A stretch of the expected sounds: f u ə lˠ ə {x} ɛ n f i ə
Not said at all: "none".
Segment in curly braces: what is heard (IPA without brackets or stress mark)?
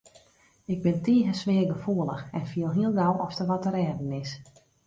x